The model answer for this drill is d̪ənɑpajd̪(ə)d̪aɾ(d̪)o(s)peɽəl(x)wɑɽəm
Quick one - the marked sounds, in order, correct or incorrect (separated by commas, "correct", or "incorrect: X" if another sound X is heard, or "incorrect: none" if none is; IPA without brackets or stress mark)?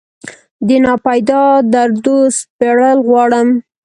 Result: incorrect: ɑ, correct, correct, incorrect: ɣ